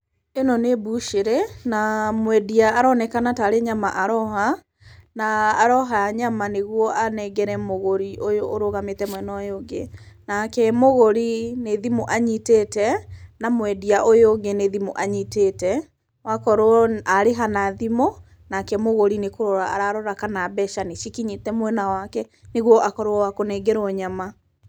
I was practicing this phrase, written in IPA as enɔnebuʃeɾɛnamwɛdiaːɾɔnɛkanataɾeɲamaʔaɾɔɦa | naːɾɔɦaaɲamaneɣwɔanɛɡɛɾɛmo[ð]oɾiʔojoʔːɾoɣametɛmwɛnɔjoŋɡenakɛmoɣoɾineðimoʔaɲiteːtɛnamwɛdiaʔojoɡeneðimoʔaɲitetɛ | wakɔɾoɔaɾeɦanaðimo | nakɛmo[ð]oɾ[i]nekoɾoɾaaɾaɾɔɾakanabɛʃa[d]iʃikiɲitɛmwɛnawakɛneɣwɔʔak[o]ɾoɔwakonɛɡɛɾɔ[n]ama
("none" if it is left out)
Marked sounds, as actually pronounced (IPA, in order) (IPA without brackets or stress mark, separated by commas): ɣ, ɣ, i, n, ɔ, ɲ